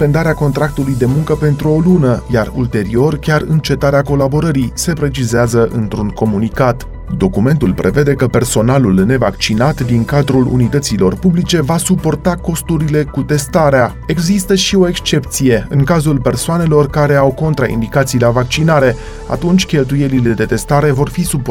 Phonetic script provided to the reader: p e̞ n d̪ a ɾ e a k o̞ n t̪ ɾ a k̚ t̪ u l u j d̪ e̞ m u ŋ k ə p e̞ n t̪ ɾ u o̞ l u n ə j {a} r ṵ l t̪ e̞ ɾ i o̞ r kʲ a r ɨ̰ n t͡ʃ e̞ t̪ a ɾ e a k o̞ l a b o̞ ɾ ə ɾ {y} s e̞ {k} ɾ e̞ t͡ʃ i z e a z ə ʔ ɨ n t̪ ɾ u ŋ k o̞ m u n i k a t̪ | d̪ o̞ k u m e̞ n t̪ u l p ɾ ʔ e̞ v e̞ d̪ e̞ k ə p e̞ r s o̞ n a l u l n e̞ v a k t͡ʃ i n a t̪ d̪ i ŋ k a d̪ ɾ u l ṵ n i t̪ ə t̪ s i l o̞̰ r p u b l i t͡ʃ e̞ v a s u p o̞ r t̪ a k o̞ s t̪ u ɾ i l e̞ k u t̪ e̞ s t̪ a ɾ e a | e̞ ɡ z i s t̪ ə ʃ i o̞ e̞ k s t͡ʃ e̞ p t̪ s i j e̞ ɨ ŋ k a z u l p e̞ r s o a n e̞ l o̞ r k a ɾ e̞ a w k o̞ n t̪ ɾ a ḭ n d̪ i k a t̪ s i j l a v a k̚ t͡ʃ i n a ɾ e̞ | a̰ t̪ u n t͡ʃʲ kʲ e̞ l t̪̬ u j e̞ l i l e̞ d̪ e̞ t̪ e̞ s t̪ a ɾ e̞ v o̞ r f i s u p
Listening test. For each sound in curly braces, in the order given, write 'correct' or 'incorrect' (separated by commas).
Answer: correct, incorrect, incorrect